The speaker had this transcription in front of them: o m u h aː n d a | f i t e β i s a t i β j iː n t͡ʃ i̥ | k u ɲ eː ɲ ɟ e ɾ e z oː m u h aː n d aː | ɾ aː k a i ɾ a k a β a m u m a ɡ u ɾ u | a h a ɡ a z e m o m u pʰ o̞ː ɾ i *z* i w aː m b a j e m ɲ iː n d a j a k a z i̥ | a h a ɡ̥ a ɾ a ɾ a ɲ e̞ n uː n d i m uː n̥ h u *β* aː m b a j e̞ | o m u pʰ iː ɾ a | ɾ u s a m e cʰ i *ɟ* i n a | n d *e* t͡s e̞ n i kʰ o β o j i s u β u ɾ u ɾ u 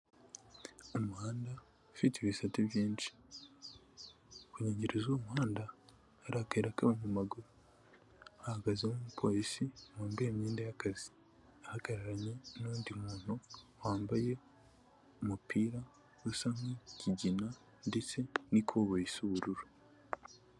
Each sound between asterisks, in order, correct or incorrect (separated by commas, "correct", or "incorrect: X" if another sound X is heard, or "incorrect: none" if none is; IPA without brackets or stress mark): incorrect: s, incorrect: w, correct, correct